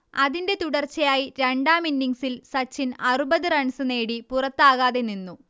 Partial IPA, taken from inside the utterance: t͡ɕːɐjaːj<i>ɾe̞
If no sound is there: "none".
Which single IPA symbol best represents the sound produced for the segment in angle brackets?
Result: i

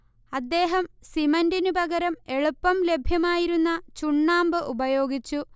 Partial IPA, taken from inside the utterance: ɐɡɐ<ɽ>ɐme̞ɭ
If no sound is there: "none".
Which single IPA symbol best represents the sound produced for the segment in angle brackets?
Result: ɾ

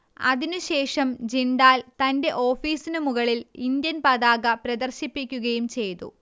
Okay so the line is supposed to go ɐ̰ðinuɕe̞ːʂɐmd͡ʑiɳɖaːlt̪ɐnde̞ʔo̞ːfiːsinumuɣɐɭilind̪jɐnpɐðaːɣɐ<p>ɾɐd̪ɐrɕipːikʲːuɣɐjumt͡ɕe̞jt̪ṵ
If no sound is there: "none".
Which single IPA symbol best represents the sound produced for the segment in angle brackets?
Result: p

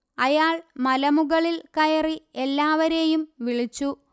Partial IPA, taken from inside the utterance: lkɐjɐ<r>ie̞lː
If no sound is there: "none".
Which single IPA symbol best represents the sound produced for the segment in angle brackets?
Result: r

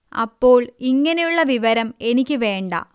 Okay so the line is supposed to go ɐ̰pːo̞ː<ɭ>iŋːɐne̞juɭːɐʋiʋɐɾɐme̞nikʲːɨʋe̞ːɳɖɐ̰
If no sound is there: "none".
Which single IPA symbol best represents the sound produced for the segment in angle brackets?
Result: ɭ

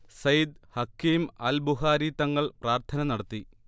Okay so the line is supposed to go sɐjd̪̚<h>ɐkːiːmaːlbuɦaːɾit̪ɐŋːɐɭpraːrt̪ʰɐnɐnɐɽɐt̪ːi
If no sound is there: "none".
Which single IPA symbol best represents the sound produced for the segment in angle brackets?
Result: h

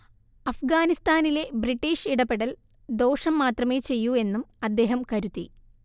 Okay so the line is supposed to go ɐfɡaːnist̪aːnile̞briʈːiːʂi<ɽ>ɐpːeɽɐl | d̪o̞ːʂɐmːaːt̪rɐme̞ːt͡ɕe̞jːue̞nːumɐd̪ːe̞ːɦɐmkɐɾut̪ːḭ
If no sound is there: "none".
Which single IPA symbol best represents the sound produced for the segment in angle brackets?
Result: ɽ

